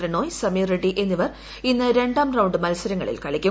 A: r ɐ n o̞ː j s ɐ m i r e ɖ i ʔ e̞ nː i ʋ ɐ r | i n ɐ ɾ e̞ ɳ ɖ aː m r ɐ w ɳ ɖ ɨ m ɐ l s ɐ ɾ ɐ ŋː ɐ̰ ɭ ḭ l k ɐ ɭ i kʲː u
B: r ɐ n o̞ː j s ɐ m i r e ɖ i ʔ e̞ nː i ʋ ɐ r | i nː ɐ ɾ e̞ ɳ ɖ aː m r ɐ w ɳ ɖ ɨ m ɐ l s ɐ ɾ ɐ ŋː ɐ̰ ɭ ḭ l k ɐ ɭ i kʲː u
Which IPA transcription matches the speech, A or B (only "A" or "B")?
B